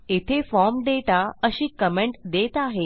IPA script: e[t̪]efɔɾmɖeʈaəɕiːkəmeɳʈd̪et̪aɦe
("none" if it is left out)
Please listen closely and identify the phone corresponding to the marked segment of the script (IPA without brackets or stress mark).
t̪ʰ